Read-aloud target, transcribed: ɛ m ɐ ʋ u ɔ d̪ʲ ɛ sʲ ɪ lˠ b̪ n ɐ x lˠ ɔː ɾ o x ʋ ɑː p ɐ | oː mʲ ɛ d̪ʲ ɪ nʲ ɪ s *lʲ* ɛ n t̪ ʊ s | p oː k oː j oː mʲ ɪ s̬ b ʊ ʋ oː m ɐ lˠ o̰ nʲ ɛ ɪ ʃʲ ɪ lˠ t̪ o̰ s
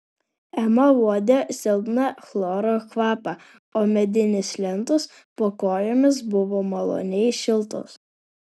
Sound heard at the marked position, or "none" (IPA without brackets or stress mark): lʲ